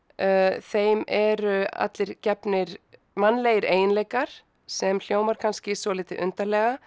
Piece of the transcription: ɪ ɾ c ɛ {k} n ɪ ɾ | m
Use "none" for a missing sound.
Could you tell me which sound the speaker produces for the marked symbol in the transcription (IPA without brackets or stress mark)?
p